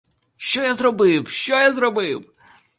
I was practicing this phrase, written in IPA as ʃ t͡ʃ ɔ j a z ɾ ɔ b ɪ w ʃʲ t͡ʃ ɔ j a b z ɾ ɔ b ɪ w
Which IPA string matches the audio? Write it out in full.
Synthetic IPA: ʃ t͡ʃ ɔ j a z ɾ ɔ b ɪ w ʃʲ t͡ʃ ɔ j a z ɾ ɔ b ɪ w